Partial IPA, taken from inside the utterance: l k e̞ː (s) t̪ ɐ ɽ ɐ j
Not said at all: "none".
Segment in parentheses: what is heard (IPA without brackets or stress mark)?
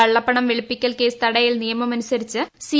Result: s